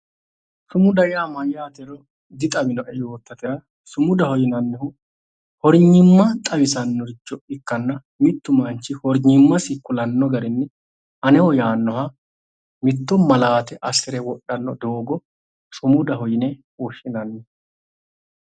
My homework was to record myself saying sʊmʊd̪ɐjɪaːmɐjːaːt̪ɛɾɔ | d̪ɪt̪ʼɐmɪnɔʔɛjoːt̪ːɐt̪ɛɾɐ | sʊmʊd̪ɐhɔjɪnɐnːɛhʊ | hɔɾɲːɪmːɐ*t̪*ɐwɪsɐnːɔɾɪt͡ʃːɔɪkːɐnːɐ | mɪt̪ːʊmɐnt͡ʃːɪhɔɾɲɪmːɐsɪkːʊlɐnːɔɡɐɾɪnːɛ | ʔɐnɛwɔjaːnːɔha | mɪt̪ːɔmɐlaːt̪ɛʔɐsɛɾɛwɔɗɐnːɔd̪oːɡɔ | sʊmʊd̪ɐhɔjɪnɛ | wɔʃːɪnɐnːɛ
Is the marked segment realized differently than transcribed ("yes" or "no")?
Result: yes